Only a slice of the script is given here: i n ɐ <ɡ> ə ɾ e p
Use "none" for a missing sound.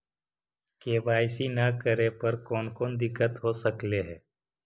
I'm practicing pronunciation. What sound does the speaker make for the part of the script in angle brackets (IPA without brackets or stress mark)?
k